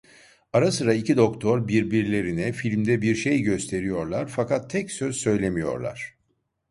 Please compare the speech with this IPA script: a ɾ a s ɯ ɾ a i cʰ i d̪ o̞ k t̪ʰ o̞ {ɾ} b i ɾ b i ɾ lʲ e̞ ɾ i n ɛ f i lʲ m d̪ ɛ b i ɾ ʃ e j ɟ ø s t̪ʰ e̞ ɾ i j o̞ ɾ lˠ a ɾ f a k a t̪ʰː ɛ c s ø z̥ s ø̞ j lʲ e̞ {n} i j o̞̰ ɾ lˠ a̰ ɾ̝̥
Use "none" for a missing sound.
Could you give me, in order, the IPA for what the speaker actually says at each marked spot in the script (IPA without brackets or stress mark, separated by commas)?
ɾ, m